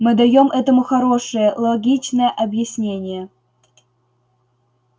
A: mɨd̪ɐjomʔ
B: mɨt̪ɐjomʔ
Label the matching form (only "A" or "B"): A